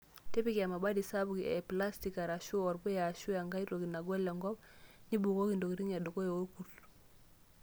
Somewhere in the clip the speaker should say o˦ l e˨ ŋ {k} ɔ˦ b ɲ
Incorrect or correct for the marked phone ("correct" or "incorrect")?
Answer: incorrect